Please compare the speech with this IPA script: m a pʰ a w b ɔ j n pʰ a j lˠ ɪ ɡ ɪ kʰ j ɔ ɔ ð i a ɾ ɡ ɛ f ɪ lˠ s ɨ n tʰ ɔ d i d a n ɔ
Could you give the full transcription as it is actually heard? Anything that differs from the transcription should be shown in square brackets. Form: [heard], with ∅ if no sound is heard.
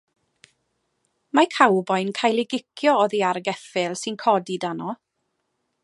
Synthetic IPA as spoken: m a [kʰ] a w b ɔ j n [kʰ] a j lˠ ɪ ɡ ɪ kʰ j ɔ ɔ ð i a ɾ ɡ ɛ f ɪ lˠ s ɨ n [kʰ] ɔ d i d a n ɔ